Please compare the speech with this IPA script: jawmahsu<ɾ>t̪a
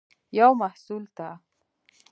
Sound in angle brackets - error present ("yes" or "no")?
yes